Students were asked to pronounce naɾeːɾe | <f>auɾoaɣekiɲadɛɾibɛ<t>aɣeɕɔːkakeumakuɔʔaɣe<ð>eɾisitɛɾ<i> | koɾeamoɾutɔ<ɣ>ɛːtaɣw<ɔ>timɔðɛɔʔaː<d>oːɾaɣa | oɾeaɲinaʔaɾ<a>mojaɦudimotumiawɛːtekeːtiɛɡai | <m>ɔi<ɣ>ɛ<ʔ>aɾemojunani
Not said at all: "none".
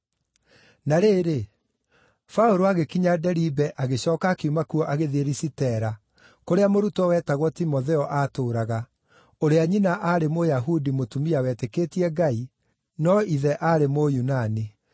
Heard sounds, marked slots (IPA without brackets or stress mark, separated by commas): f, ʔ, ð, a, w, ɔ, t, e, n, ð, ʔ